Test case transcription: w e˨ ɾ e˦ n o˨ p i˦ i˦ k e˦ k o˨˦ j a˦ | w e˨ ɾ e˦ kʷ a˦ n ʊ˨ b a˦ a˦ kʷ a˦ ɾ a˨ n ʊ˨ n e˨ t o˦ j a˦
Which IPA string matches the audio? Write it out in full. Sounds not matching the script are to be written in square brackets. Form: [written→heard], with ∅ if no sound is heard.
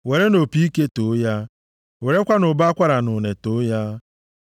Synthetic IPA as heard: w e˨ ɾ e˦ n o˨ p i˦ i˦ k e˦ [k→t] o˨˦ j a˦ | w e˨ ɾ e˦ kʷ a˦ n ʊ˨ b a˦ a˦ kʷ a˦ ɾ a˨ n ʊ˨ n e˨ t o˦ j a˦

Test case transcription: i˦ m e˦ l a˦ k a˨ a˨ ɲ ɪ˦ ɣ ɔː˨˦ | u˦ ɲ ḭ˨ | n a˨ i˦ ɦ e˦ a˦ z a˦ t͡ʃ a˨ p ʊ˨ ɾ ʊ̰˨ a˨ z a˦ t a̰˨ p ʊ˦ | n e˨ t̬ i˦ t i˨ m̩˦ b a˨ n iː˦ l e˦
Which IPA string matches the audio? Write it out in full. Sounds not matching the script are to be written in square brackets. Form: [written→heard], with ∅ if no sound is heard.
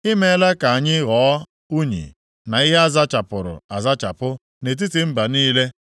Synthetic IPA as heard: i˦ m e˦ l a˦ k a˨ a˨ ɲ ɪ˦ ɣ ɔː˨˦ | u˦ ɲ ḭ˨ | n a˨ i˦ ɦ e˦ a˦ z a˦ t͡ʃ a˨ p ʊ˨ ɾ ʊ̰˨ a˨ z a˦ [t→t͡ʃ] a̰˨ p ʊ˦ | n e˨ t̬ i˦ t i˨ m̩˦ b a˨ n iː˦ l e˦

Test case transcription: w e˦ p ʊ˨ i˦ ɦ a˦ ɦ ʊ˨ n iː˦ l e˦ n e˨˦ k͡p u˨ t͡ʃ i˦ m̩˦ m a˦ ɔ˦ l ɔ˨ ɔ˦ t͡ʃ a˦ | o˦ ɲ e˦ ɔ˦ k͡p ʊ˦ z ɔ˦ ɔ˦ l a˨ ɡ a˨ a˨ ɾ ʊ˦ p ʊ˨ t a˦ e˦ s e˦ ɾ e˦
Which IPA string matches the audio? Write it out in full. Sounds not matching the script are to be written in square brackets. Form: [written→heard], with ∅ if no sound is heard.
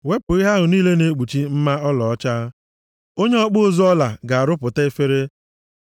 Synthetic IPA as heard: w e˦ p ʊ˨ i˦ ɦ a˦ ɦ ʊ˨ n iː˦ l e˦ n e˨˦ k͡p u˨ t͡ʃ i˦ m̩˦ m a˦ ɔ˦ l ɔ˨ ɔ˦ t͡ʃ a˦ | o˦ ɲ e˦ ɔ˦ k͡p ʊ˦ z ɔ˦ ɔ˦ l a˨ ɡ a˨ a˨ ɾ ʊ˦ p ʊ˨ t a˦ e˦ [s→f] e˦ ɾ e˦

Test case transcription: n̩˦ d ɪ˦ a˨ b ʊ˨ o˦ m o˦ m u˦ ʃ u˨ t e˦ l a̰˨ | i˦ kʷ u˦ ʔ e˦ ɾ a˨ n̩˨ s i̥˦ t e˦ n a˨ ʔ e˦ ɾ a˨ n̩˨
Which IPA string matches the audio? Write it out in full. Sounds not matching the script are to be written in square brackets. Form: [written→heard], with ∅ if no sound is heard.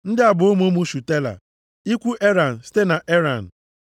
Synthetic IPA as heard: n̩˦ d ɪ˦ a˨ b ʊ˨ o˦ m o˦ m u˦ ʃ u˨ t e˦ l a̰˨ | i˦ kʷ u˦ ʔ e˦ ɾ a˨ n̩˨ s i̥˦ t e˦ n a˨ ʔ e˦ ɾ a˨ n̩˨

